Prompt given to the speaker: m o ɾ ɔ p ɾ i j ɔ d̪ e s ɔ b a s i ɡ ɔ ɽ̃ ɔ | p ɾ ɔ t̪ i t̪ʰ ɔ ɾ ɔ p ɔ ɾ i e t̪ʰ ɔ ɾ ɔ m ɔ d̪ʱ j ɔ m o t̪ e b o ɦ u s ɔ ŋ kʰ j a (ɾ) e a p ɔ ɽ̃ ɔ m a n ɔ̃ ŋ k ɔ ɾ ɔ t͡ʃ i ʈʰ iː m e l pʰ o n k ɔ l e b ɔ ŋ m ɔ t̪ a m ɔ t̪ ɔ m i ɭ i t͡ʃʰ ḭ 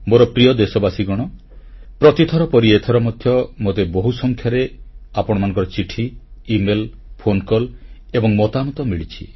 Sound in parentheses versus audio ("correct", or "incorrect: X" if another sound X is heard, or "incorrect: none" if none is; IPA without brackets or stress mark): correct